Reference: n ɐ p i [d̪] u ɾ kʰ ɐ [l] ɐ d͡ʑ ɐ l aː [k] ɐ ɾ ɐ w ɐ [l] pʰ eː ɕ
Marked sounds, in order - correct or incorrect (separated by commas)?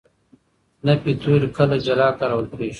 incorrect, correct, correct, correct